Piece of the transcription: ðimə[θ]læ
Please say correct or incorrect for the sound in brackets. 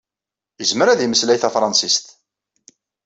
incorrect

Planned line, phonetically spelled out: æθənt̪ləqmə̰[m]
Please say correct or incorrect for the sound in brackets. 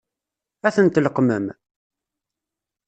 correct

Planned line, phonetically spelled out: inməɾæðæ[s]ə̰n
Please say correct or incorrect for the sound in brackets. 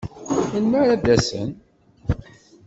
correct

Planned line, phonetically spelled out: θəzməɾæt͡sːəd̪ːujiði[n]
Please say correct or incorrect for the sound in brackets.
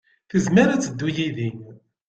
correct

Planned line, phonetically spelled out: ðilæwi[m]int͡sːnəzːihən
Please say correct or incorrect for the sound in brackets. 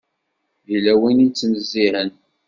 incorrect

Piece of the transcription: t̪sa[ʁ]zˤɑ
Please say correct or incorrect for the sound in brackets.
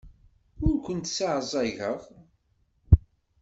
incorrect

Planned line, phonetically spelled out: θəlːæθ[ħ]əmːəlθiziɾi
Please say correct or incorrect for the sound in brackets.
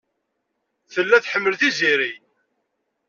correct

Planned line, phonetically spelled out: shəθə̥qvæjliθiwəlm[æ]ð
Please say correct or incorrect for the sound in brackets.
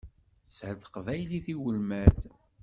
correct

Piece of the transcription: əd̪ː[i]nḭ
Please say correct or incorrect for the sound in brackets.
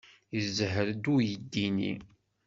correct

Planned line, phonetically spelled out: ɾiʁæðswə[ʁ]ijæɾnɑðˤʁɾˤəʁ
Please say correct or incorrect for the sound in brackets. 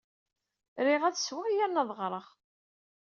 correct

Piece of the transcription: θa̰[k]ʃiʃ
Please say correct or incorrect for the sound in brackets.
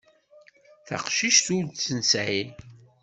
incorrect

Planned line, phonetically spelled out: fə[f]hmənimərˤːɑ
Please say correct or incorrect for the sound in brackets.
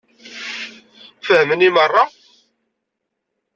incorrect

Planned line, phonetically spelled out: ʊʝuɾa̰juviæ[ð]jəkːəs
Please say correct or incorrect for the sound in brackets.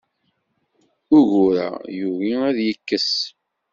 correct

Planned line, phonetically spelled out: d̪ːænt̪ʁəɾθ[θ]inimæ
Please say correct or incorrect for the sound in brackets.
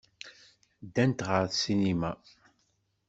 incorrect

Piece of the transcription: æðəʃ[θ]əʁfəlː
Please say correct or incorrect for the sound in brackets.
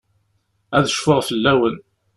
incorrect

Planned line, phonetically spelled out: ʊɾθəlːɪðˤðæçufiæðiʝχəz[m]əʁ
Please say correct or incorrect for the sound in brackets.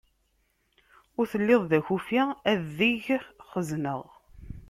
incorrect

